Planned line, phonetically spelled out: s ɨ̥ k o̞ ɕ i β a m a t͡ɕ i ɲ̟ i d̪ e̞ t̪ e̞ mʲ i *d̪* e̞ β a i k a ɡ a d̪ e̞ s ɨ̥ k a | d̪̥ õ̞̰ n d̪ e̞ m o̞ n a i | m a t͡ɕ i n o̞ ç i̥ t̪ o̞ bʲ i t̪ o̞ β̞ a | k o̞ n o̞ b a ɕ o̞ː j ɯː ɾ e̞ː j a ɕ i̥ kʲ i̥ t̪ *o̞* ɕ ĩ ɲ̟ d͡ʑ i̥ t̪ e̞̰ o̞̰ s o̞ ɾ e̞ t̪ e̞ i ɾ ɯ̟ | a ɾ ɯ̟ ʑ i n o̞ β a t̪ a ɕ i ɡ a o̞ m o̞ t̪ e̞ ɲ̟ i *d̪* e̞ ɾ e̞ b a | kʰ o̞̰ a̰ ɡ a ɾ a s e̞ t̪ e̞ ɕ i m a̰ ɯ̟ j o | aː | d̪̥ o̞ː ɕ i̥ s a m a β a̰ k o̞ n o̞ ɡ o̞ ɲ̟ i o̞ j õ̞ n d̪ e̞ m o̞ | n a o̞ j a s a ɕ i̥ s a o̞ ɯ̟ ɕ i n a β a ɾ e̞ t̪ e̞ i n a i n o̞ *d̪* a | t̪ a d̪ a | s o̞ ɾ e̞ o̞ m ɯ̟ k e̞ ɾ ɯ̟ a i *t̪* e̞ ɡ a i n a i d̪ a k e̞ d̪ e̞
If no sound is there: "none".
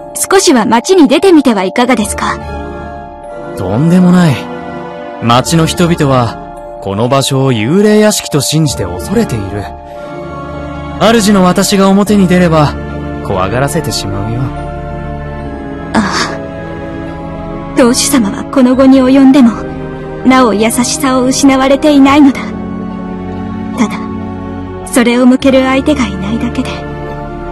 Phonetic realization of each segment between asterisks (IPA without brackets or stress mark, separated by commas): t̪, o̞, d̪, d̪, t̪